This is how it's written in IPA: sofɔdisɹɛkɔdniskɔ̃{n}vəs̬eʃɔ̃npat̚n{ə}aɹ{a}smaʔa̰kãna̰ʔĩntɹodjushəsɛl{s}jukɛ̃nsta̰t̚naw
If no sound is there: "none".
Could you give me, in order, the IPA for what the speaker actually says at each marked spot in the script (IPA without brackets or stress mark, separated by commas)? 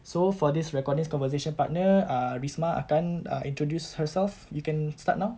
n, ə, i, f